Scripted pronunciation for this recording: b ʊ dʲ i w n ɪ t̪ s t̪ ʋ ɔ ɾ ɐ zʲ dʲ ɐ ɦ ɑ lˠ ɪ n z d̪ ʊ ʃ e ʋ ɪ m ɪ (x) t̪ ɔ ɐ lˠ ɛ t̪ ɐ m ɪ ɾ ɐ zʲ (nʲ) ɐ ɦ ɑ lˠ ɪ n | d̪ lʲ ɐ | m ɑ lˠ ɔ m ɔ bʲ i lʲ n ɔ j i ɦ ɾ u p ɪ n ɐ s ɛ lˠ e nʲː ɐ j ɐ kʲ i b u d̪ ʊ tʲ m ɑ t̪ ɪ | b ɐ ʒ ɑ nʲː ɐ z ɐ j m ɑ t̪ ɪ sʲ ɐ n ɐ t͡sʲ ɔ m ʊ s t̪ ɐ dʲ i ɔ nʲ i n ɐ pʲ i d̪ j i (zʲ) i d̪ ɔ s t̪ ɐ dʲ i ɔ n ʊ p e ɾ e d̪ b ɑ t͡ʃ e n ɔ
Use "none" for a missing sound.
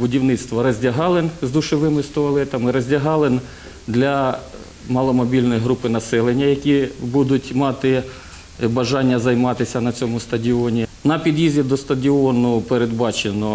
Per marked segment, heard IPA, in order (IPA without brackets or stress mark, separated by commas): s, dʲ, zʲ